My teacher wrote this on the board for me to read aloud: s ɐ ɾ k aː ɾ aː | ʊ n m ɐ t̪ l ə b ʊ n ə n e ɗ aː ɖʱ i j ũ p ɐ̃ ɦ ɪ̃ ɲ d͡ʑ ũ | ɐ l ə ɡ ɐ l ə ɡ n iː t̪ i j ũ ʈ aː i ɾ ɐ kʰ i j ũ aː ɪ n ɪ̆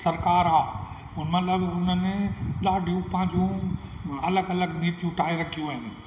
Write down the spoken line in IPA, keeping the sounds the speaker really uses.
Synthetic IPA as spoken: s ɐ ɾ k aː ɾ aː | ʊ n m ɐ t̪ l ə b ʊ n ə n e ɗ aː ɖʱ i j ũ p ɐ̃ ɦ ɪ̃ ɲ d͡ʑ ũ | ɐ l ə ɡ ɐ l ə ɡ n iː t̪ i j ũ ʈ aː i ɾ ɐ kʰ i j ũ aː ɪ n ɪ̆